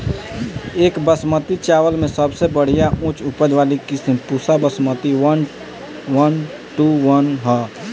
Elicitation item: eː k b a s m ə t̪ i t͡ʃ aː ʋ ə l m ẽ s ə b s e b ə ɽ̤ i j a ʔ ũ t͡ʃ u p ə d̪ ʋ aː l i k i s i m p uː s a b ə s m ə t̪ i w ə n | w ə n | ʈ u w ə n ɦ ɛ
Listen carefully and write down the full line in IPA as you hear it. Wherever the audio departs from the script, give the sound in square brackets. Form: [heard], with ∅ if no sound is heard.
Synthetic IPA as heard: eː k b [ə] s m ə t̪ i t͡ʃ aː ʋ ə l m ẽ s ə b s e b ə ɽ̤ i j a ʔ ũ t͡ʃ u p ə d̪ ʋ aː l i k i s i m p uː s a b ə s m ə t̪ i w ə n | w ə n | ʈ u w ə n ɦ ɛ